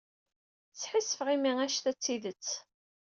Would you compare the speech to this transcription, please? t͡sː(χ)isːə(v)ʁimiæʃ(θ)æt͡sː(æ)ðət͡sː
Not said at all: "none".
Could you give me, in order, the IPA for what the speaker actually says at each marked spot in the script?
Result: ħ, f, θ, i

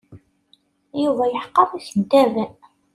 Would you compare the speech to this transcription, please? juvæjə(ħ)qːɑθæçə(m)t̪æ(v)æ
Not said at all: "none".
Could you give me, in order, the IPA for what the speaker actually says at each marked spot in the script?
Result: ħ, n, v

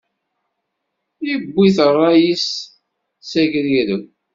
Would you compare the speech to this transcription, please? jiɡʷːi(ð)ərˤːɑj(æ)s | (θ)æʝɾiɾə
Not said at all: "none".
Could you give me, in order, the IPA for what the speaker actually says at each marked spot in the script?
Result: θ, i, s

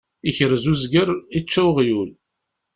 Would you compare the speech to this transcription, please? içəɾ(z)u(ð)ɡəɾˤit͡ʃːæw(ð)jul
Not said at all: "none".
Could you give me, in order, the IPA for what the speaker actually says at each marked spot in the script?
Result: z, z, ʁ

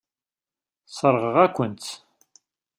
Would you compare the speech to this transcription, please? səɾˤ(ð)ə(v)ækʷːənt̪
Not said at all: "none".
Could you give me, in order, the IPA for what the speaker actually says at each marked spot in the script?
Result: ʁ, ʁ

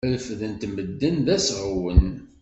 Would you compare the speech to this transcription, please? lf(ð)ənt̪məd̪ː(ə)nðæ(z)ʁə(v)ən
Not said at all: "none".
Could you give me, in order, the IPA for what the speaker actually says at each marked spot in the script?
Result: ð, ə, s, w

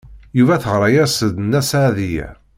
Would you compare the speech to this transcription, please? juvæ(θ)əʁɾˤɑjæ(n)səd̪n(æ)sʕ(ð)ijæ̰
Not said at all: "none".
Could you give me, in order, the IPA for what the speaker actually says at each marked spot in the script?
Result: θ, none, æ, ð

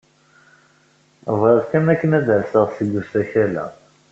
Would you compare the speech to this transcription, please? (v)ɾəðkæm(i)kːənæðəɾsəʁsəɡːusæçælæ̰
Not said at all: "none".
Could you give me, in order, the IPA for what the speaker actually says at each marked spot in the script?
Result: v, æ

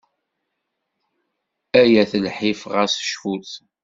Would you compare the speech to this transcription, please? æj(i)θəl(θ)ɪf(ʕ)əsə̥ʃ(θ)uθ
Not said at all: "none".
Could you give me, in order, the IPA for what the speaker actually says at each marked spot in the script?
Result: æ, ħ, ʁ, f

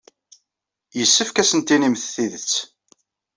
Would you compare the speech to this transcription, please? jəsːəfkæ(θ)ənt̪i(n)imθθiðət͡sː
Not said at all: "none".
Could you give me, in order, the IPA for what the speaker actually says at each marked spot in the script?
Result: s, n

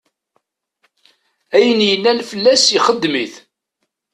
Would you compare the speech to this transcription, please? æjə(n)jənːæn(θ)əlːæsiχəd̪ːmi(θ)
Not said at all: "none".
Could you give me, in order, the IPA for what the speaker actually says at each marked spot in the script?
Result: n, f, θ

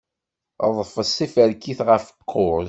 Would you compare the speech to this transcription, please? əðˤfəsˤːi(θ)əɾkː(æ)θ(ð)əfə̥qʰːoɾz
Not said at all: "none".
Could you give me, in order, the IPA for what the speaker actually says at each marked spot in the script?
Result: f, i, ʁ

